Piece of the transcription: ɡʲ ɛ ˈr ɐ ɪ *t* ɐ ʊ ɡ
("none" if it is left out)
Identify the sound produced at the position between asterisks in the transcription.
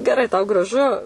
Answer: t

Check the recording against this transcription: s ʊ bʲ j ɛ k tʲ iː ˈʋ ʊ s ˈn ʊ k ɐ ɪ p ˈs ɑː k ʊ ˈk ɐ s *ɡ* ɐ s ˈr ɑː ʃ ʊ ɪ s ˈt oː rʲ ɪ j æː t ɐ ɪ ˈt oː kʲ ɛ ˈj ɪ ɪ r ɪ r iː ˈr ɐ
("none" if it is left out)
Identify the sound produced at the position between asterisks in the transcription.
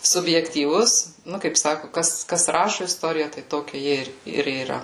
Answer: k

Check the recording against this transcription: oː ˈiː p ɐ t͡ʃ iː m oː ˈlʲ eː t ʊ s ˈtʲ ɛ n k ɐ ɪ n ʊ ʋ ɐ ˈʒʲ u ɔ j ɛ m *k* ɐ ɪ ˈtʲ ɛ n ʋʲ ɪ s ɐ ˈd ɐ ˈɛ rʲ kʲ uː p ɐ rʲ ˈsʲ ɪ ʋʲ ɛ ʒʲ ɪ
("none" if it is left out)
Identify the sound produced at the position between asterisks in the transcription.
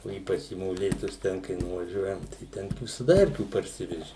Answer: t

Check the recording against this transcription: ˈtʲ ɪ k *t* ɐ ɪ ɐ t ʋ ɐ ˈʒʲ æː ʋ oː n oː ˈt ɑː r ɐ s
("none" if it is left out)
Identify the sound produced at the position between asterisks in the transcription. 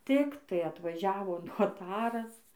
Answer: t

